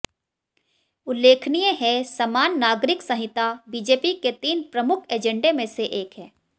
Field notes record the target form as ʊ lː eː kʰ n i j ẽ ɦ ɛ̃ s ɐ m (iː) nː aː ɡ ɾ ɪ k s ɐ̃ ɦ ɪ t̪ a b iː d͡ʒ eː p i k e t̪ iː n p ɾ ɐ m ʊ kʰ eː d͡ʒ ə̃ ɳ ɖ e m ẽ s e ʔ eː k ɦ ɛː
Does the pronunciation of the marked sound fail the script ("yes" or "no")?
yes